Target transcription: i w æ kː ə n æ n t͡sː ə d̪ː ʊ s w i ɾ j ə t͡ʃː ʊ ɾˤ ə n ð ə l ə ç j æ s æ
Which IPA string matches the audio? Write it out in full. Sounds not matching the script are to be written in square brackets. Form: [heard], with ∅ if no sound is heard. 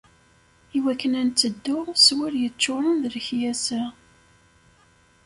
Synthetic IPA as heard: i w æ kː ə n æ n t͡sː ə d̪ː ʊ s w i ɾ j ə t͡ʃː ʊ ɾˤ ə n ð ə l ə ç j æ s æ

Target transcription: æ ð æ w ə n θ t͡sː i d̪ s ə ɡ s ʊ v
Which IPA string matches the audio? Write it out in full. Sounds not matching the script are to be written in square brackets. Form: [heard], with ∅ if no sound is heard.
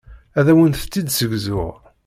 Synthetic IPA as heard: æ ð æ w ə n θ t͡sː i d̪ s ə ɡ [z] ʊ [ʁ]

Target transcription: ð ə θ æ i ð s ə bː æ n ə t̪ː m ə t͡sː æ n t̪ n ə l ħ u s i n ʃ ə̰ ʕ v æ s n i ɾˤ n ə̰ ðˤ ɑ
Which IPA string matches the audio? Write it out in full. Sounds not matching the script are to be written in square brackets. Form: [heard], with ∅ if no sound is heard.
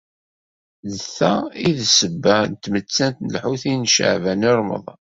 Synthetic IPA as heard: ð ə θ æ i ð s ə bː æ n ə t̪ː m ə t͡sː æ n t̪ n ə l ħ u [θ] i n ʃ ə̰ ʕ v æ [∅] n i ɾˤ [m] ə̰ ðˤ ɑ

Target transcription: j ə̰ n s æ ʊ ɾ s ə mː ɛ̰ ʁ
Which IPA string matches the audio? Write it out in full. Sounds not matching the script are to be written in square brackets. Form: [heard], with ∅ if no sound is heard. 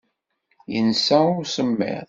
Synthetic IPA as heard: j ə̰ n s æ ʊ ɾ s ə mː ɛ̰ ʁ

